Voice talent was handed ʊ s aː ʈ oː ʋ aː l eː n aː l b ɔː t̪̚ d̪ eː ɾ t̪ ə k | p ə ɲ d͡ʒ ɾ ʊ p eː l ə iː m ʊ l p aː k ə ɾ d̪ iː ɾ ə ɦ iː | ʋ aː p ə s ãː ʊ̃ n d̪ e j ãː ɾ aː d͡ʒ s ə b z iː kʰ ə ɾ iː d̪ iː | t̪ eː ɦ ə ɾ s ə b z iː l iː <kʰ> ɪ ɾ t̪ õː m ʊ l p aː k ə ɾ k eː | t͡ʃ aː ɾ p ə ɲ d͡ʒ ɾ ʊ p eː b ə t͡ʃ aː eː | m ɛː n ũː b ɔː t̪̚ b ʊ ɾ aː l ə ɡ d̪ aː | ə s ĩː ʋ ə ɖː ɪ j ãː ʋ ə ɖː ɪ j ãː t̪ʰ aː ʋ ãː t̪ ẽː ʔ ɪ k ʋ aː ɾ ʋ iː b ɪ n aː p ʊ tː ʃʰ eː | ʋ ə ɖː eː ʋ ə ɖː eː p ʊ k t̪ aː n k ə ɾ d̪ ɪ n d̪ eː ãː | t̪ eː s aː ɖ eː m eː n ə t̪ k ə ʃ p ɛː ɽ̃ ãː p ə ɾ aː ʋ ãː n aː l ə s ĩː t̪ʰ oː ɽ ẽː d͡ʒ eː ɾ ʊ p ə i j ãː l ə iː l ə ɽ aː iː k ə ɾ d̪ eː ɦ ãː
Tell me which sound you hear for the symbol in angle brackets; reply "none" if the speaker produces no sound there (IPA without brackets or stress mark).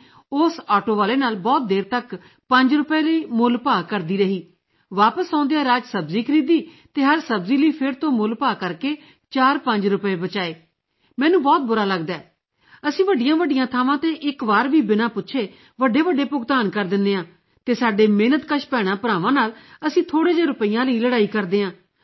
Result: pʰ